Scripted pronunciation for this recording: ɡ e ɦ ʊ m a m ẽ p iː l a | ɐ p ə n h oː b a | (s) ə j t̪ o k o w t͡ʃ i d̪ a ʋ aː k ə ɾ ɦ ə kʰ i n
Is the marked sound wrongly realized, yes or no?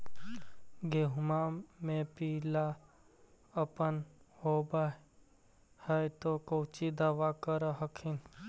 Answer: yes